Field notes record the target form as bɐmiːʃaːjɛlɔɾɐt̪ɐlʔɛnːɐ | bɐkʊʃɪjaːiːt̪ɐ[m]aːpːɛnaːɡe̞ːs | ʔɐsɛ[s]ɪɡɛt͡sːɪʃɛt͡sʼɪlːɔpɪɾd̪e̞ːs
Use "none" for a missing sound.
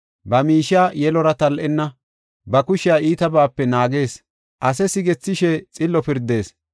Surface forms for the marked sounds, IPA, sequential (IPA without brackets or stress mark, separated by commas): b, s